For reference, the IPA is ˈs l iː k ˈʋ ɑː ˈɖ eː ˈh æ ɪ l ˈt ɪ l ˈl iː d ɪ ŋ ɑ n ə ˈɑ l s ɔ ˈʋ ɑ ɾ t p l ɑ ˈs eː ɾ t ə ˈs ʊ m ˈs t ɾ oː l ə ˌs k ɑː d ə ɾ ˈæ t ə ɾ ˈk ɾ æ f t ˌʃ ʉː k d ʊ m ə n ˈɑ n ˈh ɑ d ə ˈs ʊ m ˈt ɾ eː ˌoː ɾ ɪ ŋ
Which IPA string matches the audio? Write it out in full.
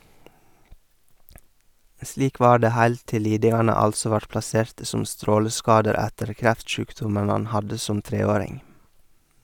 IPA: ˈs l iː k ˈʋ ɑː ˈɖ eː ˈh æ ɪ l ˈt ɪ l ˈl iː d ɪ ŋ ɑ n ə ˈɑ l s ɔ ˈʋ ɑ ɾ t p l ɑ ˈs eː ɾ t ə ˈs ʊ m ˈs t ɾ oː l ə ˌs k ɑː d ə ɾ ˈæ t ə ɾ ˈk ɾ æ f t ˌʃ ʉː k d ʊ m ə n ˈɑ n ˈh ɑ d ə ˈs ʊ m ˈt ɾ eː ˌoː ɾ ɪ ŋ